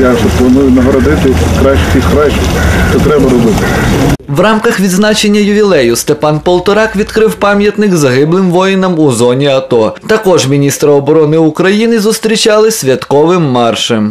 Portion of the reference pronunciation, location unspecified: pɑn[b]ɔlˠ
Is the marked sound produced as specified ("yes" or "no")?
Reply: no